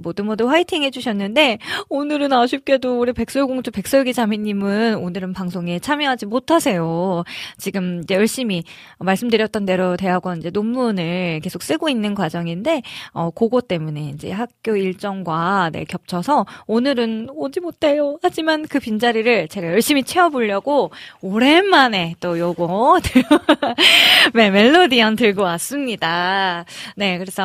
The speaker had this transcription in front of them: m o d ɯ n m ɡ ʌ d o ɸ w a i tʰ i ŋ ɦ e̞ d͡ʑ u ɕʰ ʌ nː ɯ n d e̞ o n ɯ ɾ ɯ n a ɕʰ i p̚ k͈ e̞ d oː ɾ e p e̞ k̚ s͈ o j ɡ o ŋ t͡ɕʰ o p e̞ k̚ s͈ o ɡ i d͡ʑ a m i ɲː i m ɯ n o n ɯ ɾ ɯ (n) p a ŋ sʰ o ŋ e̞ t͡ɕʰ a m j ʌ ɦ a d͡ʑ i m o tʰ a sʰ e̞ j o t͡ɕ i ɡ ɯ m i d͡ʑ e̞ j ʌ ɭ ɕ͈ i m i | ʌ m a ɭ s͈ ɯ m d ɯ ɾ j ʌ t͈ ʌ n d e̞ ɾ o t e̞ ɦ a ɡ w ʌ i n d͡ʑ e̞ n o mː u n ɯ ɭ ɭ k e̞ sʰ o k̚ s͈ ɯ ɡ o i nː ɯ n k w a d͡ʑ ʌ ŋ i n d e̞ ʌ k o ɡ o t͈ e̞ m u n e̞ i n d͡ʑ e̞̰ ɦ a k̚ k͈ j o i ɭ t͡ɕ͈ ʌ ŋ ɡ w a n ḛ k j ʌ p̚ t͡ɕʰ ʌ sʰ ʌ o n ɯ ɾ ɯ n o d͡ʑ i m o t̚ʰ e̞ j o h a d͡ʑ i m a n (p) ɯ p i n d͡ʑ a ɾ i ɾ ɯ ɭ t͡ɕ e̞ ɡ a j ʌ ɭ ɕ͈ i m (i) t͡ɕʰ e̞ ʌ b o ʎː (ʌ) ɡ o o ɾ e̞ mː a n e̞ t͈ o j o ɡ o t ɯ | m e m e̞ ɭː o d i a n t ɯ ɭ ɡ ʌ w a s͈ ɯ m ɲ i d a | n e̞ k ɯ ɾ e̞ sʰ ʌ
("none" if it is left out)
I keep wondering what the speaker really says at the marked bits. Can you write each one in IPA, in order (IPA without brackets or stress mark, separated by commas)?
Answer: n, k, i, ʌ